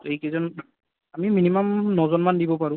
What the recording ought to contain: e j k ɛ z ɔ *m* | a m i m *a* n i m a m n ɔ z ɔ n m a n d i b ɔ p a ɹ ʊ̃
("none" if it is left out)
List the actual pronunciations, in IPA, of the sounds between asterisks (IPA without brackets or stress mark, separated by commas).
n, i